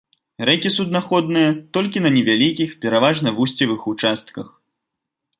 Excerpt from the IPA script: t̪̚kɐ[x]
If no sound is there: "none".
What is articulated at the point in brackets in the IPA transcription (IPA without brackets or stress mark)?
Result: x